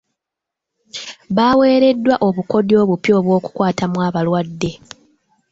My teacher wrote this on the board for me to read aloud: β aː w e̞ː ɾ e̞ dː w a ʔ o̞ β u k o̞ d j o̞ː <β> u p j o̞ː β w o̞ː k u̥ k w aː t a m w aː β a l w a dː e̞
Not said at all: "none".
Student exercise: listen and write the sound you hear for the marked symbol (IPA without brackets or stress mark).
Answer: β